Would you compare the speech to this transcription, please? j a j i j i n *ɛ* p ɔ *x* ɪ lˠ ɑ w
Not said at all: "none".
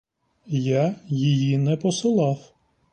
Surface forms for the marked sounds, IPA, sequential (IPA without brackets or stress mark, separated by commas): ɛ, s